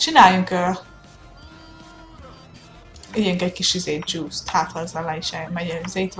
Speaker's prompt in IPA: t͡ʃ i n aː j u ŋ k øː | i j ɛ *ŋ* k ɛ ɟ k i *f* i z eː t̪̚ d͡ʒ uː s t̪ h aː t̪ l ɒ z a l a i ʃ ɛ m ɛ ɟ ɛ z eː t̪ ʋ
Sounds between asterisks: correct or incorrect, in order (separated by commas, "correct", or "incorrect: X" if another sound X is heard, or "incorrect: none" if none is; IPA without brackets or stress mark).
correct, incorrect: ʃ